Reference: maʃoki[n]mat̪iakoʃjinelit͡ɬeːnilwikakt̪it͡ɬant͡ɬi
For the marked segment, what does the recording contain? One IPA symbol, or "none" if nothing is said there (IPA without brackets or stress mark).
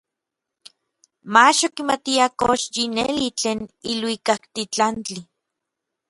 none